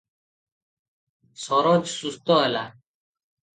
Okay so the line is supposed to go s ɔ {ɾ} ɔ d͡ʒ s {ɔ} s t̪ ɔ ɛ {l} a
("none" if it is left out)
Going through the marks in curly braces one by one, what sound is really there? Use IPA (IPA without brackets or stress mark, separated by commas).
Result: ɾ, u, l